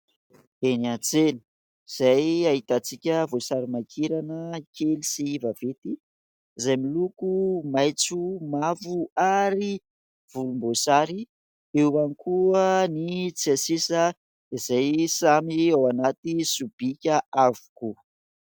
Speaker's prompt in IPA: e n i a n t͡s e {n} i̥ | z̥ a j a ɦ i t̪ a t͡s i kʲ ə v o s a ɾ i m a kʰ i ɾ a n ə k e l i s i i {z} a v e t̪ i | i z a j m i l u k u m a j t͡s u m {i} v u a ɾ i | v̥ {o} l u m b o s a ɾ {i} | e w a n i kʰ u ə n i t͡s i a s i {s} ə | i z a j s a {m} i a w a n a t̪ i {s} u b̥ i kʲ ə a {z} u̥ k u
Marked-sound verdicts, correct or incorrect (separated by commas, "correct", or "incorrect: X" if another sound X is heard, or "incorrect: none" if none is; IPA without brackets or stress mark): correct, incorrect: v, incorrect: a, incorrect: u, correct, correct, correct, correct, incorrect: v